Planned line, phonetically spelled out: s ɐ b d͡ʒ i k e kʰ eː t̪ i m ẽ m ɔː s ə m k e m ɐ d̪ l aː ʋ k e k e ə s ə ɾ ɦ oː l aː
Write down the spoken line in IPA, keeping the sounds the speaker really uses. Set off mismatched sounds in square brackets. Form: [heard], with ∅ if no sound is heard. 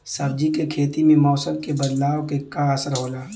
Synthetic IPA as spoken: s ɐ b d͡ʒ i k e kʰ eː t̪ i m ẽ m ɔː s ə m k e [b] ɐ d̪ l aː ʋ k e k [a] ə s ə ɾ ɦ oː l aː